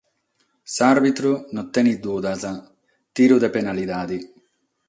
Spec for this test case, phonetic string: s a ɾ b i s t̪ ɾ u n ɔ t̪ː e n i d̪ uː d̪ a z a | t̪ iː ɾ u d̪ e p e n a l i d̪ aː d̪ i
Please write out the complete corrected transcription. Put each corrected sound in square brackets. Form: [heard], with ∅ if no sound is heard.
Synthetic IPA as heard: s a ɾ b i [∅] t̪ ɾ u n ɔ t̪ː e n i d̪ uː d̪ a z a | t̪ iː ɾ u d̪ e p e n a l i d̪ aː d̪ i